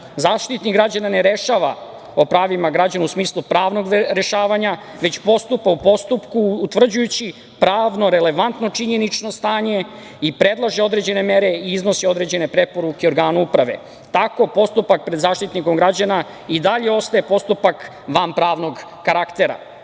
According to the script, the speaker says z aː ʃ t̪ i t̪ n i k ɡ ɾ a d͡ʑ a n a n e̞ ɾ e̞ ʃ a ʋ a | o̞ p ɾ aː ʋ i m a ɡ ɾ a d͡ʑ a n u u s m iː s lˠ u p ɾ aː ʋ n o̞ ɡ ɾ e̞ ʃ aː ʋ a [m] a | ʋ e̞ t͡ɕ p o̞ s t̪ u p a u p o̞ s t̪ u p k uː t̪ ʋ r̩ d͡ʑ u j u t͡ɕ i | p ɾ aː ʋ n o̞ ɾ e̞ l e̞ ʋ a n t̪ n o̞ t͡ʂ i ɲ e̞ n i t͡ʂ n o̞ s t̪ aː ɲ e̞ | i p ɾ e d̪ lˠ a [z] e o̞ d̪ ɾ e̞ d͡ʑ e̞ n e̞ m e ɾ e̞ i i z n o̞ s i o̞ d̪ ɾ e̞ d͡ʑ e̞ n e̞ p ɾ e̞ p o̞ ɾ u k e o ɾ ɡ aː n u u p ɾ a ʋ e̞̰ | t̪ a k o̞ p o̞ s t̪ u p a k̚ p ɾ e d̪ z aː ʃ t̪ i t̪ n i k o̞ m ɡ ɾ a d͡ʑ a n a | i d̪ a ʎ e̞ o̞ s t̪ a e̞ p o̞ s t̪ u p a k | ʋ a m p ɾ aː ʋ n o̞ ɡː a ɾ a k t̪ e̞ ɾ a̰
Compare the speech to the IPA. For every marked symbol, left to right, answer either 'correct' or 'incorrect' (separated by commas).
incorrect, incorrect